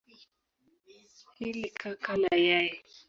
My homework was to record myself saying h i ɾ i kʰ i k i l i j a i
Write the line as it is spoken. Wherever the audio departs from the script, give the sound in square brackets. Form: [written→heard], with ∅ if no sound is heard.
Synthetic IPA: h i [ɾ→l] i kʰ [i→a] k [i→a] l [i→a] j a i